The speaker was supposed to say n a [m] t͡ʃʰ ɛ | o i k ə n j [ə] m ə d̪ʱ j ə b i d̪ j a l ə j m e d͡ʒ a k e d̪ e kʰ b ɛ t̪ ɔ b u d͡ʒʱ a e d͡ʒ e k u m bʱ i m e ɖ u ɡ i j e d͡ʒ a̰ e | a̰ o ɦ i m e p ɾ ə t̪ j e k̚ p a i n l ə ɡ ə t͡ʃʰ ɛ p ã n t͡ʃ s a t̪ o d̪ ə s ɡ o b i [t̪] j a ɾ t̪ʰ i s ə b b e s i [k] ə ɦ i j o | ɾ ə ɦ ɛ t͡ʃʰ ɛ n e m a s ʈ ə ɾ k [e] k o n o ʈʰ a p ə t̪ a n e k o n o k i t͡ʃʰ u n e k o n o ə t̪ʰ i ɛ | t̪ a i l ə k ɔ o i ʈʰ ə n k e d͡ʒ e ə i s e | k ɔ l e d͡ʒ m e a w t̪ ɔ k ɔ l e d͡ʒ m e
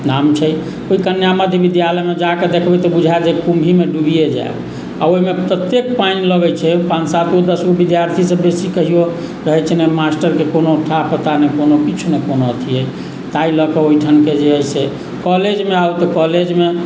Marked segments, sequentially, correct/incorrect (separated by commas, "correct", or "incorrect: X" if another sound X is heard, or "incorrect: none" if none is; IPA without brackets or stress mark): correct, incorrect: a, incorrect: d̪, correct, correct